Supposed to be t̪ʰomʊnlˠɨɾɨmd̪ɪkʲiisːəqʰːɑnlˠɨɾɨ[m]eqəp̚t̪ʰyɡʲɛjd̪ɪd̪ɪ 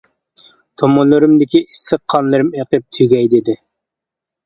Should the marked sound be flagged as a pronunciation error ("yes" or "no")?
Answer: no